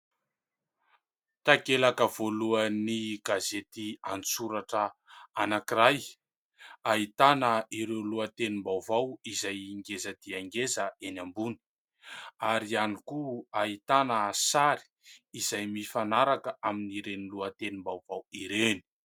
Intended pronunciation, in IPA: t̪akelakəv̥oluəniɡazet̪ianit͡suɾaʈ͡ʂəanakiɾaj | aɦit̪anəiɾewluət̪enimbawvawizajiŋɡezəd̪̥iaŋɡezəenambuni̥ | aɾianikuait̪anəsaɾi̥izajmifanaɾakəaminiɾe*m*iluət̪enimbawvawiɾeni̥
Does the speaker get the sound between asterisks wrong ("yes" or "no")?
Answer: yes